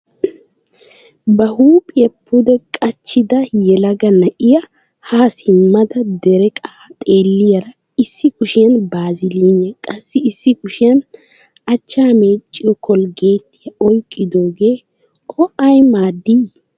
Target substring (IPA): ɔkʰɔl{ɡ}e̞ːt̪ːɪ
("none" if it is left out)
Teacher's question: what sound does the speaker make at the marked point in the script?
ɡ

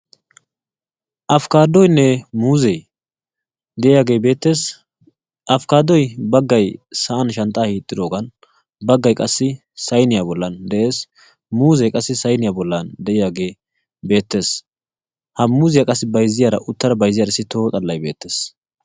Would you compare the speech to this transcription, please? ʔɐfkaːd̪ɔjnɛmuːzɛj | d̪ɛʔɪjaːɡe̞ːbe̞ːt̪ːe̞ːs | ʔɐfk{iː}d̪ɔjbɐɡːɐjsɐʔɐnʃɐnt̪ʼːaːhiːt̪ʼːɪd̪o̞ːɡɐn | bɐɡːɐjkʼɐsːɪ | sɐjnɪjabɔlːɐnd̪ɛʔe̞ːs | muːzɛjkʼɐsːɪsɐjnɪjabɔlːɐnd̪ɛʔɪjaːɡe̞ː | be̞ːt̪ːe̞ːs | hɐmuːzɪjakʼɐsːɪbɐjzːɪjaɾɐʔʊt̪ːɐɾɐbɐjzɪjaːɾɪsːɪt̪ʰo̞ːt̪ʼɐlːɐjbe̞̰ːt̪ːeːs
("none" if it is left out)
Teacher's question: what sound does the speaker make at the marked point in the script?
aː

